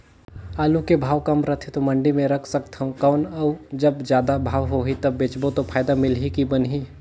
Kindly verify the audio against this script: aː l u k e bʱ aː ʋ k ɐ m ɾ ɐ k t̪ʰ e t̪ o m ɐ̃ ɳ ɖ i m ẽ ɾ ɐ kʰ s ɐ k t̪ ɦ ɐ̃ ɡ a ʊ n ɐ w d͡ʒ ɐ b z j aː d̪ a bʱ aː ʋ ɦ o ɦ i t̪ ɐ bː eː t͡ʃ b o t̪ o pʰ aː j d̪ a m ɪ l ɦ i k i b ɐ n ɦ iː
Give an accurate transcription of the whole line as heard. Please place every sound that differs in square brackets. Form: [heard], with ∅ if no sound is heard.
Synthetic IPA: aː l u k e bʱ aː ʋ k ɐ m ɾ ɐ [∅] t̪ʰ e t̪ o m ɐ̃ ɳ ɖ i m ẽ ɾ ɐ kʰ s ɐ k t̪ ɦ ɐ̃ [k] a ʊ n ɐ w d͡ʒ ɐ b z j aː d̪ a bʱ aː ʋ ɦ o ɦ i t̪ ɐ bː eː t͡ʃ b o t̪ o pʰ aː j d̪ a m ɪ l ɦ i k i b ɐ n ɦ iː